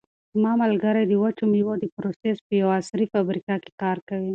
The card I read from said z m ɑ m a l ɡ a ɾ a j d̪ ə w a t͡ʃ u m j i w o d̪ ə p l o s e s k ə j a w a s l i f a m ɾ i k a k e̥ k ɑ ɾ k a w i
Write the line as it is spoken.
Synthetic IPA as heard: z m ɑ m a l ɡ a ɾ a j d̪ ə w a t͡ʃ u m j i w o d̪ ə p ɾ o s e s p ə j a w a s ɾ i f a b ɾ i k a k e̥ k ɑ ɾ k a w i